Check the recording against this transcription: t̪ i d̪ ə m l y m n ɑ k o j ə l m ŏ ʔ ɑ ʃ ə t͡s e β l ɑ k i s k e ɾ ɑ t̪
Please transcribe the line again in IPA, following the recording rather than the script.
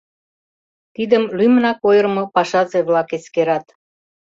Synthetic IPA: t̪ i d̪ ə m l y m n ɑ k o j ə r m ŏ p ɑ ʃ ɑ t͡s e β l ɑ k e s k e ɾ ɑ t̪